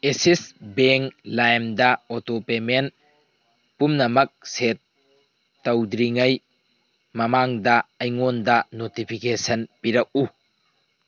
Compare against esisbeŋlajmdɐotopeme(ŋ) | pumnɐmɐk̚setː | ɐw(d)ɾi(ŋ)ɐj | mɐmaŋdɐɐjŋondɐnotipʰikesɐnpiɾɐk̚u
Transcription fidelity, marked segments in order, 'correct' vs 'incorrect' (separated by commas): incorrect, correct, correct